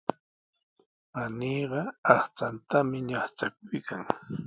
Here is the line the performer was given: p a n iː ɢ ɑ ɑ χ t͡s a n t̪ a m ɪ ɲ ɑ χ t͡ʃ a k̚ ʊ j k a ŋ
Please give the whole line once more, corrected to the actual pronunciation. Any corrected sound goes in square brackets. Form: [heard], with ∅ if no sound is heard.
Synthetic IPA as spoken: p a n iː ɢ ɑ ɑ χ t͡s a n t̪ a m ɪ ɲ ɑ χ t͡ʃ a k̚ ʊ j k a ŋ